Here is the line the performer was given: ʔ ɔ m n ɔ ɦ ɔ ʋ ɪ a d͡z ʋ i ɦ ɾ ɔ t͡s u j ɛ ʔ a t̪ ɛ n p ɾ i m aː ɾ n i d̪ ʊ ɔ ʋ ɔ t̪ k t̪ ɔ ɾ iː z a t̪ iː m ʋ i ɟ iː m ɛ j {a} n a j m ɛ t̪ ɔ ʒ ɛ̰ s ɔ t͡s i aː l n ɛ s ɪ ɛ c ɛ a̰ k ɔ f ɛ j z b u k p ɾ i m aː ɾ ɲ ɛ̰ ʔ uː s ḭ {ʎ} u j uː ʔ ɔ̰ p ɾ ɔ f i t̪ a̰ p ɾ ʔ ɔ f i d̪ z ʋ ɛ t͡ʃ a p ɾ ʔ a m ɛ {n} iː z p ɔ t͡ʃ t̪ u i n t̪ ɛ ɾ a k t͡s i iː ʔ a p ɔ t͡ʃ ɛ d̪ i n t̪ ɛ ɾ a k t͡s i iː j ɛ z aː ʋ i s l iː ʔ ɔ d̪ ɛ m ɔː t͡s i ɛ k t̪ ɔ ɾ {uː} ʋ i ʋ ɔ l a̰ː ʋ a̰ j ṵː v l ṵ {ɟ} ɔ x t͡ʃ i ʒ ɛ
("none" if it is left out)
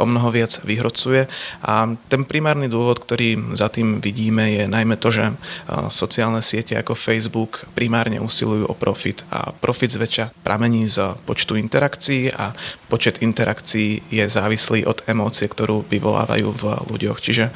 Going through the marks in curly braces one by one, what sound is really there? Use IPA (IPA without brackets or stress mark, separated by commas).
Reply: ɛ, l, ɲ, uː, ɟ